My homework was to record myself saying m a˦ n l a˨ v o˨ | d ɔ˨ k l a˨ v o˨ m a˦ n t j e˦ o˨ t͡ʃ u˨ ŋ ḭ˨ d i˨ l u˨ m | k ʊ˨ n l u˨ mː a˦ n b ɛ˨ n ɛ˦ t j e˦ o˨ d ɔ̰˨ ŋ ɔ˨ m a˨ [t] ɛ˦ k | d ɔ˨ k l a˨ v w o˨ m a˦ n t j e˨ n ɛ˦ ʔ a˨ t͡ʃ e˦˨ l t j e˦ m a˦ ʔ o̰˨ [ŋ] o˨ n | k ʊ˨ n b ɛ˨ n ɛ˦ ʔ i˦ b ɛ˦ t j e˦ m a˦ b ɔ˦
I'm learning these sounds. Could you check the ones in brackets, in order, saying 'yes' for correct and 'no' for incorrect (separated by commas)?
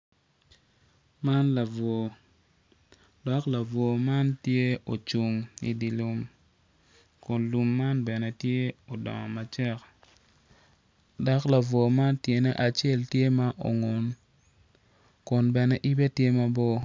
no, yes